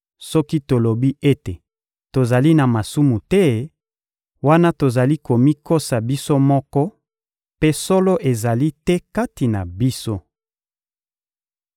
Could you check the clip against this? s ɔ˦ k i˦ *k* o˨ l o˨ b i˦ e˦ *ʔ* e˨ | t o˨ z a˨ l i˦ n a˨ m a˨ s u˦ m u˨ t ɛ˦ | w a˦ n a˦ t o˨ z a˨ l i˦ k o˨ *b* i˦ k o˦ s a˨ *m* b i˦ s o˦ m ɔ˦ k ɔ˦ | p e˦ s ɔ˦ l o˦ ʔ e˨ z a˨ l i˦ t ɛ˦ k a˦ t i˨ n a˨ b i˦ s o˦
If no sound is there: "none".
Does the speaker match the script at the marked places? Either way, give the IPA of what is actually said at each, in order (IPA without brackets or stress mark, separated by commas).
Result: t, t, m, none